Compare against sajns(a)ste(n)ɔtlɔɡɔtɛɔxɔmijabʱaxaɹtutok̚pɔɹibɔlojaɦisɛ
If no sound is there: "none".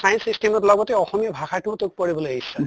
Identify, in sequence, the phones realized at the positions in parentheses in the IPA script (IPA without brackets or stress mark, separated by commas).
i, m